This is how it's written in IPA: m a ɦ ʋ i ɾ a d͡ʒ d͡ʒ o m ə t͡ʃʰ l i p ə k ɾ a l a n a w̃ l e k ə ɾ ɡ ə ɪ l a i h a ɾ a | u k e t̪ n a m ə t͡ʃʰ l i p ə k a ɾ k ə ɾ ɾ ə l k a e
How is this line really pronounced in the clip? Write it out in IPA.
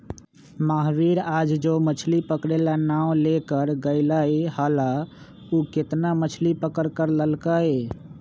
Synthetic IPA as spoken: m a ɦ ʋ i ɾ a d͡ʒ d͡ʒ o m ə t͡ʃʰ l i p ə k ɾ e l a n a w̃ l e k ə ɾ ɡ ə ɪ l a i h a l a | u k e t̪ n a m ə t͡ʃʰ l i p ə k ə ɾ k ə ɾ l ə l k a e

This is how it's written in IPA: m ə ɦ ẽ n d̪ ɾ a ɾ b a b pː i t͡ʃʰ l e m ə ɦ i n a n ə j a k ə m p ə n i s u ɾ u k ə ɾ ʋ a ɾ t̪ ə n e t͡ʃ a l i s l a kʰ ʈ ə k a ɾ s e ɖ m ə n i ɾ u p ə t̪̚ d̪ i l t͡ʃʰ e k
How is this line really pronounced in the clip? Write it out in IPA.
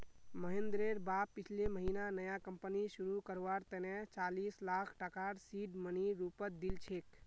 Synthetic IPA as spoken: m ə ɦ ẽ n d̪ ɾ e ɾ b a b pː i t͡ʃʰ l e m ə ɦ i n a n ə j a k ə m p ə n i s u ɾ u k ə ɾ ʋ a ɾ t̪ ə n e t͡ʃ a l i s l a kʰ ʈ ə k a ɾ s i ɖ m ə n i ɾ u p ə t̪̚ d̪ i l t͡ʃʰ e k

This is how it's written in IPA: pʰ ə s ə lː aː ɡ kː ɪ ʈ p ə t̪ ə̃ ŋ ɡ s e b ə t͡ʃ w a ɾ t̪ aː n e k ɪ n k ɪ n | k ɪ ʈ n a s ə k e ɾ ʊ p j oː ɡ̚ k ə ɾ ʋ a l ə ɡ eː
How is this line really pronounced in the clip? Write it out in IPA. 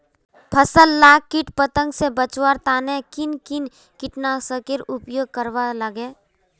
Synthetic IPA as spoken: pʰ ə s ə lː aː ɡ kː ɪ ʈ p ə t̪ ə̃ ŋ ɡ s e b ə t͡ʃ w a ɾ t̪ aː n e k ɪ n k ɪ n | k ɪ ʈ n a s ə k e ɾ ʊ p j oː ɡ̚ k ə ɾ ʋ a l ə ɡ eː

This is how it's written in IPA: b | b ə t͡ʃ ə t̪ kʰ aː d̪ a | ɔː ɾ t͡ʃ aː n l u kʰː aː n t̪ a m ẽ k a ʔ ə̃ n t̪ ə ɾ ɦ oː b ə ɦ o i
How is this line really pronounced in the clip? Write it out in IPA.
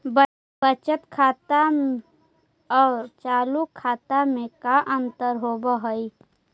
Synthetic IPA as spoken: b | b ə t͡ʃ ə t̪ kʰ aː t̪ a | ɔː ɾ t͡ʃ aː l u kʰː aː t̪ a m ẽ k a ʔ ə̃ n t̪ ə ɾ ɦ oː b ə ɦ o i

